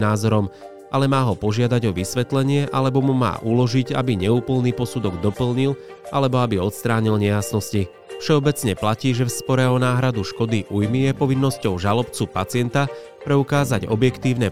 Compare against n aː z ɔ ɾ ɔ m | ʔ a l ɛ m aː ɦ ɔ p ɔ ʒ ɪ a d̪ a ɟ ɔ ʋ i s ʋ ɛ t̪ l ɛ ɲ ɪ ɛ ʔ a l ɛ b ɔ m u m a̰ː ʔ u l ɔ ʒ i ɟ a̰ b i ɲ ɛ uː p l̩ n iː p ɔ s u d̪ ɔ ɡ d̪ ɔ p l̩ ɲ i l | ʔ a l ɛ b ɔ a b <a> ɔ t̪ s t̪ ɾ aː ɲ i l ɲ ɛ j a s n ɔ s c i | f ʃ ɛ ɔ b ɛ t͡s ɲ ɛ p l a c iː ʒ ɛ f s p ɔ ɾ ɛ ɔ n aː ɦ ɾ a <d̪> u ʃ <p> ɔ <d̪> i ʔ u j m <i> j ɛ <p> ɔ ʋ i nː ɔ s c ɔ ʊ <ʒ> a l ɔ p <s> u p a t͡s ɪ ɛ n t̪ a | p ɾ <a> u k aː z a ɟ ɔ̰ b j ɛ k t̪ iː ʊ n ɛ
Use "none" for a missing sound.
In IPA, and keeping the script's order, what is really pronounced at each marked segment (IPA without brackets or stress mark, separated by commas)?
i, d̪, k, d̪, i, p, ʒ, t͡s, ɛ